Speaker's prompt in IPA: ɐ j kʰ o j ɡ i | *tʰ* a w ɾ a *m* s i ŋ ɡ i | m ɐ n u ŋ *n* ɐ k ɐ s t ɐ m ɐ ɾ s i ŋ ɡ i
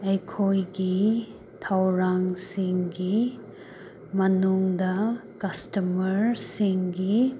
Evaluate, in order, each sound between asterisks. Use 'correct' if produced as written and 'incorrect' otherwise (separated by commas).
correct, incorrect, incorrect